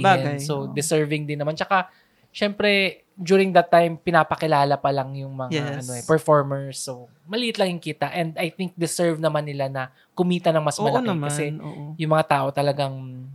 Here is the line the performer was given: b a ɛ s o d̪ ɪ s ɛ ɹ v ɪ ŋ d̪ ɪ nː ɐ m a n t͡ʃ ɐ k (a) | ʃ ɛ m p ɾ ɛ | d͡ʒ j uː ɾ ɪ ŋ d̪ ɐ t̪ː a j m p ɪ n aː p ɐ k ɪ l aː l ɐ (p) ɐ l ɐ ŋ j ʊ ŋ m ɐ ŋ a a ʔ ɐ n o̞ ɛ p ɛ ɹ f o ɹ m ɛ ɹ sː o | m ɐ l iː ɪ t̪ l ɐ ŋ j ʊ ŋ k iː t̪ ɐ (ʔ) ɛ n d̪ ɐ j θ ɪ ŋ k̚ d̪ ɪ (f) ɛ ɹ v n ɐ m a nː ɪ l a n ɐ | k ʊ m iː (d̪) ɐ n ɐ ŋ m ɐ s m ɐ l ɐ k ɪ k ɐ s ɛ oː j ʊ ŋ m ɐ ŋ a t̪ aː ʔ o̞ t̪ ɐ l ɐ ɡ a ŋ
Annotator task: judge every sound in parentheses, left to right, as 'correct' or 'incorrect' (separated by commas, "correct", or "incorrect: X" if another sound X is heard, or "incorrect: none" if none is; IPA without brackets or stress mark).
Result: correct, correct, correct, incorrect: s, incorrect: t̪